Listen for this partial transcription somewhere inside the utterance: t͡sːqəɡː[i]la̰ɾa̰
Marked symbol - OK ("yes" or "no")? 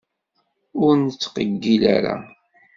yes